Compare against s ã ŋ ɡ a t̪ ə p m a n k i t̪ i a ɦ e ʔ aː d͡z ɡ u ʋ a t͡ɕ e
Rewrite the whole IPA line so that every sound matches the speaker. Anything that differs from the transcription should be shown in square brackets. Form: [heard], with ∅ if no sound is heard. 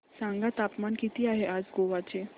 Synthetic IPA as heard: s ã ŋ ɡ a t̪ [a] p m a n k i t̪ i a ɦ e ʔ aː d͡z ɡ [o] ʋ a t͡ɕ e